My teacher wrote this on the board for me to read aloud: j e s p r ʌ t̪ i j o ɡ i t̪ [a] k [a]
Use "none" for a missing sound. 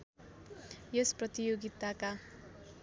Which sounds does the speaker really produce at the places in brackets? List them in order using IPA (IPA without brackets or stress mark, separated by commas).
a, a